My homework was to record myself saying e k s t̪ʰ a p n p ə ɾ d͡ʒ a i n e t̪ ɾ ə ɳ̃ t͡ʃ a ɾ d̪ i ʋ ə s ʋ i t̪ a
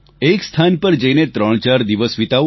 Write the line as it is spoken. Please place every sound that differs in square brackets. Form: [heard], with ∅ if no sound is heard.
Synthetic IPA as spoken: e k s t̪ʰ a [∅] n p ə ɾ d͡ʒ [ə] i n e t̪ ɾ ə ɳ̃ t͡ʃ a ɾ d̪ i ʋ ə s ʋ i t̪ a